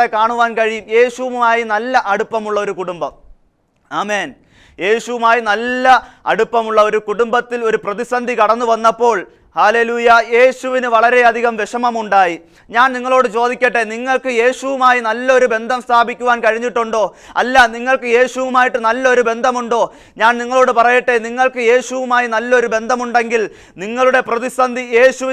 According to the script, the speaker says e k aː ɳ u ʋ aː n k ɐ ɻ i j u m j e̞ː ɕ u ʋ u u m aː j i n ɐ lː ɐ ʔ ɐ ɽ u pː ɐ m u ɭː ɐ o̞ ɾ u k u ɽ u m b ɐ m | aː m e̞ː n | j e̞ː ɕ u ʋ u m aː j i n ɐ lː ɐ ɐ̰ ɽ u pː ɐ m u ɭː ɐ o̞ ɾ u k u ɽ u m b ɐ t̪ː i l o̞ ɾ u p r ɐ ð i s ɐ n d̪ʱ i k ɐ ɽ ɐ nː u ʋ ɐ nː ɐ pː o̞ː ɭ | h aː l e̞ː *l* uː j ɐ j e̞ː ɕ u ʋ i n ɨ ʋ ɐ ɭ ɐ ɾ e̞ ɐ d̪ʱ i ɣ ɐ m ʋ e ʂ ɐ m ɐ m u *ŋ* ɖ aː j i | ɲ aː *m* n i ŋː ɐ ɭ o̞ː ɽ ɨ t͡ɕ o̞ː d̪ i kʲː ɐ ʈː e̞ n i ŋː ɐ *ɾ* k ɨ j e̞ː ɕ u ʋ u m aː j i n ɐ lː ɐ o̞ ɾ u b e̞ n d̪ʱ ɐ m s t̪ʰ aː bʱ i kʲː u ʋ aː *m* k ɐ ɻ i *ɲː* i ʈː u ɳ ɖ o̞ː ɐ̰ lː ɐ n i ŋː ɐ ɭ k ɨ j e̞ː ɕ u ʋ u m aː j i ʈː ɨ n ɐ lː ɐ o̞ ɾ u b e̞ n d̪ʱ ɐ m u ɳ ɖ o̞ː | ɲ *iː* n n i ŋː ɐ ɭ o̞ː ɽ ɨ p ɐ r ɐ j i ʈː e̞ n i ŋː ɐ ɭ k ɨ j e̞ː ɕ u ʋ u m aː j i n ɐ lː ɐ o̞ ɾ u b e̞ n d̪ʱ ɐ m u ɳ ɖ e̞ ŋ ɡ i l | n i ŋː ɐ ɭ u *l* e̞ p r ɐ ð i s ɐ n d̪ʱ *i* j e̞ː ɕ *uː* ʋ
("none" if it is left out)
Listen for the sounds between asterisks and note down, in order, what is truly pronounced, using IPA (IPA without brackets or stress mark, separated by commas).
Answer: l, ɳ, n, ɭ, n, ɲː, aː, ɽ, i, u